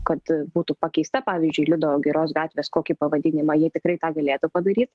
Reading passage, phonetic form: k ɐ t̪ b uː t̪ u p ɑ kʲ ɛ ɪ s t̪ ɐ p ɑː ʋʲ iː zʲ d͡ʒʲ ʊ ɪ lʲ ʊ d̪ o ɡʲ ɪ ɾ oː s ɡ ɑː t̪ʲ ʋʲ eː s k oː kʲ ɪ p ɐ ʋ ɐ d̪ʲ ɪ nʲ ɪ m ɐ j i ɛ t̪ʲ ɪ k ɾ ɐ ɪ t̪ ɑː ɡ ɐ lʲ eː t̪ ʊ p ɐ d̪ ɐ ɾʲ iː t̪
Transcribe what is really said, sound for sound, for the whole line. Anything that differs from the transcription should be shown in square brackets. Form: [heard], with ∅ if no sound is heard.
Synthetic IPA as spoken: k ɐ t̪ b uː t̪ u p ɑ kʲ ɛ ɪ s t̪ ɐ p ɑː ʋʲ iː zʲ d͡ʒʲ ʊ ɪ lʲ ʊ d̪ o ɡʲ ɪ ɾ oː s ɡ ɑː t̪ʲ ʋʲ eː s k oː kʲ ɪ p ɐ ʋ ɐ d̪ʲ ɪ nʲ ɪ m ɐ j i ɛ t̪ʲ ɪ k ɾ ɐ ɪ t̪ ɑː ɡ ɐ lʲ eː t̪ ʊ p ɐ d̪ ɐ ɾʲ iː t̪